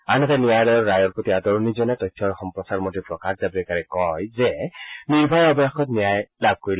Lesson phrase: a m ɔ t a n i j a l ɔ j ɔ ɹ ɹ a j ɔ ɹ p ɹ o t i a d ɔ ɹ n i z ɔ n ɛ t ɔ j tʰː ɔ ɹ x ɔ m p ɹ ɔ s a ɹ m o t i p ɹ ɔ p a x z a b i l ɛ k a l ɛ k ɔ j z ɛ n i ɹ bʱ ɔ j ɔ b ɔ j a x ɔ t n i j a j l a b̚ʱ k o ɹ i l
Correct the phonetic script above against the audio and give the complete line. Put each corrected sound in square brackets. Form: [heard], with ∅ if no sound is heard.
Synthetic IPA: a [n] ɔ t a n i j a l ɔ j ɔ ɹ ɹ a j ɔ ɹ p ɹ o t i a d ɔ ɹ n i z ɔ n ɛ t ɔ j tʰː ɔ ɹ x ɔ m p ɹ ɔ s a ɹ m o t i p ɹ ɔ [k] a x z a b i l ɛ k a [ɹ] ɛ k ɔ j z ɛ n i ɹ bʱ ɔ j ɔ b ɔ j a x ɔ t n i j a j l a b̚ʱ k o ɹ i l